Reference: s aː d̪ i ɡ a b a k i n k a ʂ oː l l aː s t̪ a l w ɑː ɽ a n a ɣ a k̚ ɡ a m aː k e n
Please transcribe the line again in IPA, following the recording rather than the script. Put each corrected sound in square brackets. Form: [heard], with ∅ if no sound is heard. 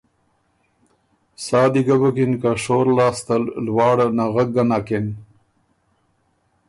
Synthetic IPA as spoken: s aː d̪ i ɡ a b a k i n k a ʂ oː [ɾ] l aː s t̪ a l w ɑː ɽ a n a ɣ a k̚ ɡ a [n] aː k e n

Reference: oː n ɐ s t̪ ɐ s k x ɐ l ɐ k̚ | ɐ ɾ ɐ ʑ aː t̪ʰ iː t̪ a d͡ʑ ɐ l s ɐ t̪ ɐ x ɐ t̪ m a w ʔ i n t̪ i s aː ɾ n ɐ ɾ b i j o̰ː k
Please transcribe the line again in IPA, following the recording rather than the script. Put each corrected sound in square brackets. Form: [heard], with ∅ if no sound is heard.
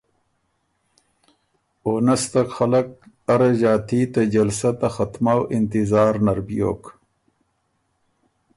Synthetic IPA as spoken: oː n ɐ s t̪ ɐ [∅] k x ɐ l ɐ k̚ | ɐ ɾ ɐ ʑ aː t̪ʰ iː t̪ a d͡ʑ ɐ l s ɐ t̪ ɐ x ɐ t̪ m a w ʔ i n t̪ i [z] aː ɾ n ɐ ɾ b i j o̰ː k

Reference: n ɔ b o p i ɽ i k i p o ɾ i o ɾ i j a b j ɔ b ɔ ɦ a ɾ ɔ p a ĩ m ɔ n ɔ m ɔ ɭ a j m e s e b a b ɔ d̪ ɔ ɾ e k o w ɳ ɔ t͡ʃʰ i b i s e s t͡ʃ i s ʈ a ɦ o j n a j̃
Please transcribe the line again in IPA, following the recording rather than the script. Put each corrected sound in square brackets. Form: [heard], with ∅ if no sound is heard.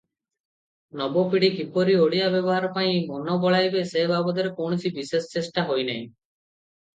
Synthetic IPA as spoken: n ɔ b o p i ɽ i k i p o ɾ i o [ɽ] i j a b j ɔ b ɔ ɦ a ɾ ɔ p a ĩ m ɔ n ɔ [b] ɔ ɭ a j [b] e s e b a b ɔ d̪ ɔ ɾ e k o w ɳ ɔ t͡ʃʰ i b i s e s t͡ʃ [e] s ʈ a ɦ o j n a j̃

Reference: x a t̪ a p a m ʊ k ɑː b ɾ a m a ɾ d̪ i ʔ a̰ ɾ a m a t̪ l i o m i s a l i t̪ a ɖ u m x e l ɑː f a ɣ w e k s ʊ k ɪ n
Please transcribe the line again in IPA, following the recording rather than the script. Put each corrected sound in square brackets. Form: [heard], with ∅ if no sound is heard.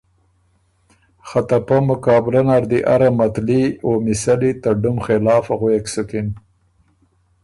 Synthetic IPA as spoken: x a t̪ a p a m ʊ k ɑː b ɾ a [n] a ɾ d̪ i ʔ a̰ ɾ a m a t̪ l i o m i s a l i t̪ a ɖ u m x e l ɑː f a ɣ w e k s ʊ k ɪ n

